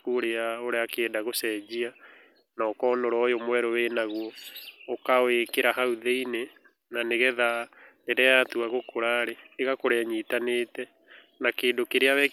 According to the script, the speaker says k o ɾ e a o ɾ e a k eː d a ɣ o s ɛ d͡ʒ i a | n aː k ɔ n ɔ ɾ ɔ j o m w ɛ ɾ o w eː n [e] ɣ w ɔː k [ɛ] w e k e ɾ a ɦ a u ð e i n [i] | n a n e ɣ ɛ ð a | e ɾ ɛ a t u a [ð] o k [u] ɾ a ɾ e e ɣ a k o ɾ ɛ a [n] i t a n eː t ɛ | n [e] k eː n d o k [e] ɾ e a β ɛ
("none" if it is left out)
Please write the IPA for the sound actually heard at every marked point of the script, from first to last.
a, a, e, ɣ, o, ɲ, a, e

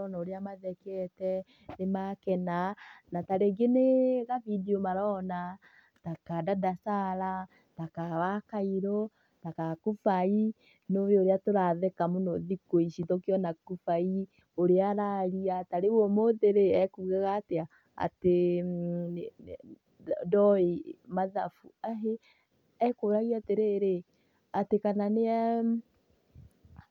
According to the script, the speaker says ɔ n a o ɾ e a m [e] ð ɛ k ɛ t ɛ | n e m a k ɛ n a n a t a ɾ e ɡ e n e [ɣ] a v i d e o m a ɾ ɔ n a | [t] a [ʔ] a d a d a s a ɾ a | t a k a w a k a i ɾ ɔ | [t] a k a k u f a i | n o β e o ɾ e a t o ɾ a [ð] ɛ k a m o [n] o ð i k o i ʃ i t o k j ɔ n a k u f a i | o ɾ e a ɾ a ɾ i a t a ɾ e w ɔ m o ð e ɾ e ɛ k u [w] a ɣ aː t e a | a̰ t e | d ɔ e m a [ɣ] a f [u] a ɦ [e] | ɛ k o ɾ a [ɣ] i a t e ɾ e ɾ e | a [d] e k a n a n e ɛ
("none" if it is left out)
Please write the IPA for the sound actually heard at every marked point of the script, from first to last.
a, ɣ, t, k, t, ð, n, ɣ, ð, u, e, ɣ, t

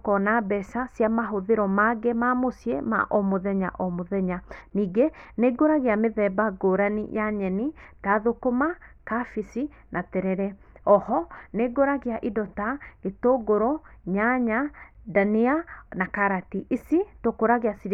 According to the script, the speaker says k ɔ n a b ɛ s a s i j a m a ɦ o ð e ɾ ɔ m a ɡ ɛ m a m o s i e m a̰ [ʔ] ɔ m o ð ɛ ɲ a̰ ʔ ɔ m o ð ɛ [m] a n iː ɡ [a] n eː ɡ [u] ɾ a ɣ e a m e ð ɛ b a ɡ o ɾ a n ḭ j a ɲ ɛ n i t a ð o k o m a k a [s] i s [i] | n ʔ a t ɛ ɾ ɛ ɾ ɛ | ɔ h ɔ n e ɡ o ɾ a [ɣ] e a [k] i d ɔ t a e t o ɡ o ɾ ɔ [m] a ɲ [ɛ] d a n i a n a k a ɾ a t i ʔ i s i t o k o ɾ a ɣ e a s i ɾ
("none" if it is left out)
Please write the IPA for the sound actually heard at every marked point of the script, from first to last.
ʔ, ɲ, e, o, f, i, ɣ, ʔ, ɲ, a

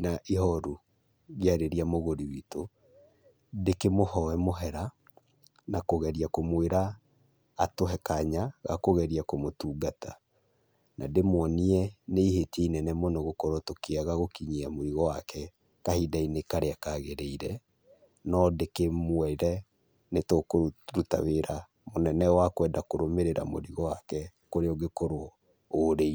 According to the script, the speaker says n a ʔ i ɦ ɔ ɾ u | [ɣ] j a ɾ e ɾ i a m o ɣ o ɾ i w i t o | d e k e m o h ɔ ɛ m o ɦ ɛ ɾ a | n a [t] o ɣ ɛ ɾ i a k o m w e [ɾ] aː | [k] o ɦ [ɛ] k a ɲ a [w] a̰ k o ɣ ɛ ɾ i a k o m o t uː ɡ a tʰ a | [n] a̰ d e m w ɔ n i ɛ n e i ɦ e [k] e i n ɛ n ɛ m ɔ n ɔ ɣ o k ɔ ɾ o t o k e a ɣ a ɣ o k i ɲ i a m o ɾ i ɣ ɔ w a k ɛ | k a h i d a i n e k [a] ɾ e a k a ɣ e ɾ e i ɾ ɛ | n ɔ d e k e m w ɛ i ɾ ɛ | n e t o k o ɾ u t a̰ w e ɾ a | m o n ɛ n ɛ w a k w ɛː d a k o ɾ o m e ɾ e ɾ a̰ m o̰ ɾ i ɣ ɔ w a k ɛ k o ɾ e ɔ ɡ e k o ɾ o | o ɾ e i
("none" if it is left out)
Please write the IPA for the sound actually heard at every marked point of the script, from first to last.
ɣ, k, ɾ, t, ɛ, ɣ, n, t, a

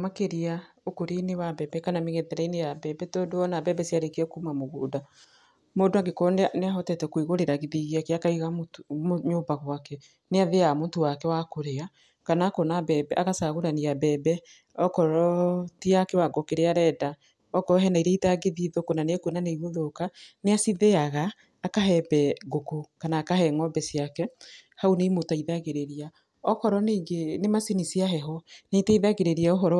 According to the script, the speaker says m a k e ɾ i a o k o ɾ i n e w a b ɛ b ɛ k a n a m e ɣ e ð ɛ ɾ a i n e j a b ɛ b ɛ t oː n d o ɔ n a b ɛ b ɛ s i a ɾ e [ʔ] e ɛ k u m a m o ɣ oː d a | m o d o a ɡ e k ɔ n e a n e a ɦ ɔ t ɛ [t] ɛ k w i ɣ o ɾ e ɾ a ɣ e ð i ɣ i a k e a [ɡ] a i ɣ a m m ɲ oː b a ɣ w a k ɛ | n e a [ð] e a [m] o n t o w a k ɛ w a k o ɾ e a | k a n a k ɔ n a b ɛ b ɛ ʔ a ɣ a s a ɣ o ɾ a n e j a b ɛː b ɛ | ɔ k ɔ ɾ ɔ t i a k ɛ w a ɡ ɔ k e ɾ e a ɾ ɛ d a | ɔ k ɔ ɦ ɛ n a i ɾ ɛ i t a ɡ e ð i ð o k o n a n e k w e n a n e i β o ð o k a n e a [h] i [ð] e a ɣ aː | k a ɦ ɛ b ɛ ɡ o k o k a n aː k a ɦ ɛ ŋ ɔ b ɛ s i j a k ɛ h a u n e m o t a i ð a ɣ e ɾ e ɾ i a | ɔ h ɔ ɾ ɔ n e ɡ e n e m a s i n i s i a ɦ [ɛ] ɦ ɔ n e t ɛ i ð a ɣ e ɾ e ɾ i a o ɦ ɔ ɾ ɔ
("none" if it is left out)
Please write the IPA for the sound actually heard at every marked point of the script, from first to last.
k, t, k, ð, m, s, ð, ɛ

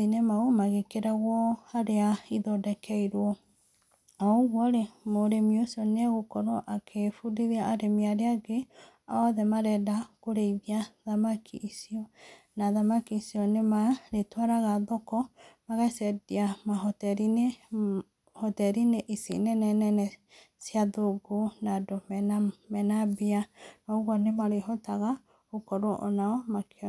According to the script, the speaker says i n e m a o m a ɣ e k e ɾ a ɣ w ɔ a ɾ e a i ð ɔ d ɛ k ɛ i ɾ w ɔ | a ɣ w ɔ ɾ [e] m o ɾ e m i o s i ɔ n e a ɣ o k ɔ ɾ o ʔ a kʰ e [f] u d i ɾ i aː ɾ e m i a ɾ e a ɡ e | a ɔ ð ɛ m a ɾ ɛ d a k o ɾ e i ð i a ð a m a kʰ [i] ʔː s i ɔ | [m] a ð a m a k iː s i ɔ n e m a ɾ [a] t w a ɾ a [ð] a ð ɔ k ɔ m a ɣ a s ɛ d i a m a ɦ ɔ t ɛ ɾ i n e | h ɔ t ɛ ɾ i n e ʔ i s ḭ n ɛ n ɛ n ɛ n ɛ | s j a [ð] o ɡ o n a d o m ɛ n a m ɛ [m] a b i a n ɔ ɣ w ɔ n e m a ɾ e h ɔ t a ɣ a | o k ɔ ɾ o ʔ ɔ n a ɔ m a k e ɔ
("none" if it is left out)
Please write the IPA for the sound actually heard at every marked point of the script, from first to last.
e, f, i, n, e, ɣ, ð, n

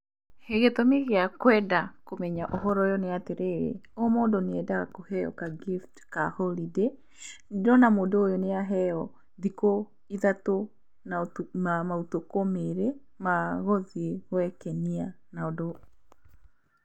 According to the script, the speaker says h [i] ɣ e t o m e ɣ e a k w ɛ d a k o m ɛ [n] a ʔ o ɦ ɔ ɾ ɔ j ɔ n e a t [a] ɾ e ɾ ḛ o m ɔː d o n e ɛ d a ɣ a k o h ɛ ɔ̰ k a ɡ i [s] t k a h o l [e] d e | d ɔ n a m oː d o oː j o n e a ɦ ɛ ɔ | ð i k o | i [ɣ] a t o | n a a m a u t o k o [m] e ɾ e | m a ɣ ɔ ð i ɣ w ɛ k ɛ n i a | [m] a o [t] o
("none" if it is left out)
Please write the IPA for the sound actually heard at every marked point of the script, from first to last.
e, ɲ, e, f, i, ð, m, n, d

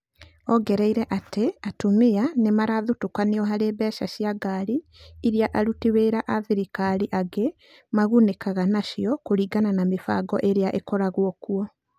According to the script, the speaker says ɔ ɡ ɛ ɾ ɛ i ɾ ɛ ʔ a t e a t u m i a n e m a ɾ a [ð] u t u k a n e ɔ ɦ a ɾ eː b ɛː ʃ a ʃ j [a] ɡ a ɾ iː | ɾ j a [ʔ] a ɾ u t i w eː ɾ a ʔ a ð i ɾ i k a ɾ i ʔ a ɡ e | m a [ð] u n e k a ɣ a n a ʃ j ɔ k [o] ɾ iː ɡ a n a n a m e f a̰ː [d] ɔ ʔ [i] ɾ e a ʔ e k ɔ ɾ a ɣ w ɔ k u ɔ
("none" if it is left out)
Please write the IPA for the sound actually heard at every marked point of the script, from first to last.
ð, a, ʔ, ɣ, o, ɡ, e

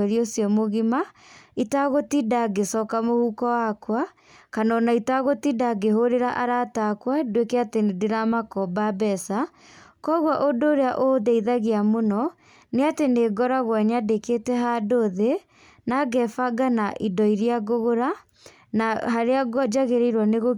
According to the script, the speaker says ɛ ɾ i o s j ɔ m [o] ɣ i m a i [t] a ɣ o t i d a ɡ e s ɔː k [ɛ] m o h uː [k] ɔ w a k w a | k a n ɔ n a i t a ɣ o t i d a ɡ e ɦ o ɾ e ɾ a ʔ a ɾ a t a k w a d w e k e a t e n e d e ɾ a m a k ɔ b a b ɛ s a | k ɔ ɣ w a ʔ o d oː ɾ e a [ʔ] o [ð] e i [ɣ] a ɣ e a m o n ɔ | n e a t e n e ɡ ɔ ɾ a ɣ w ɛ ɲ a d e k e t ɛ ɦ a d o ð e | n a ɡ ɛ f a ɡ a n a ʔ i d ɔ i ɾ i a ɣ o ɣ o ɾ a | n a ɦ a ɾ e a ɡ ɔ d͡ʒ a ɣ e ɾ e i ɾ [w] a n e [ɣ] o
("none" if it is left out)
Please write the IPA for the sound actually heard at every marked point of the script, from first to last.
o, t, a, k, ʔ, ð, ð, w, ɣ

